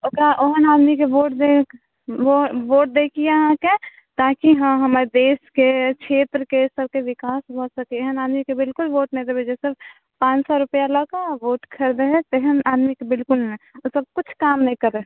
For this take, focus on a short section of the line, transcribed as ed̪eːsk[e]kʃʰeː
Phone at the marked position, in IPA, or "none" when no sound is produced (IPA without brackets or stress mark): e